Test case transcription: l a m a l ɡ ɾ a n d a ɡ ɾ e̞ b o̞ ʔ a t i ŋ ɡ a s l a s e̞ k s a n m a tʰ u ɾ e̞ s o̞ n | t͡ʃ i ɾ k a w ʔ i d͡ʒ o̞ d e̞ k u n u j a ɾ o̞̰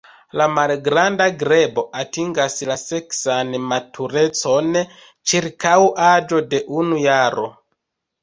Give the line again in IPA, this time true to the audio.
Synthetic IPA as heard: l a m a l ɡ ɾ a n d a ɡ ɾ e̞ b o̞ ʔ a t i ŋ ɡ a s l a s e̞ k s a n m a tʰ u ɾ e̞ t͡s o̞ n | t͡ʃ i ɾ k a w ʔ a d͡ʒ o̞ d e̞ ʔ u n u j a ɾ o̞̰